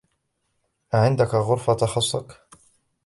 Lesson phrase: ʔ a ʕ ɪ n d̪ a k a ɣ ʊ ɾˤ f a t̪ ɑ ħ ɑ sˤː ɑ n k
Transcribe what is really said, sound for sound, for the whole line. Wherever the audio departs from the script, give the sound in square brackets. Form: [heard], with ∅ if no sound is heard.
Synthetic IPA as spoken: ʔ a ʕ ɪ n d̪ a k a ɣ ʊ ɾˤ f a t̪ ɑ [x] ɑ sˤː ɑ [∅] k